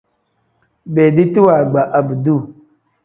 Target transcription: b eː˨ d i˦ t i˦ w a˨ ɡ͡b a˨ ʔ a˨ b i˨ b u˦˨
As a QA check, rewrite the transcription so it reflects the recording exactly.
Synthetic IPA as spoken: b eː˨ d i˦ t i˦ w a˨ ɡ͡b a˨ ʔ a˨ b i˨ d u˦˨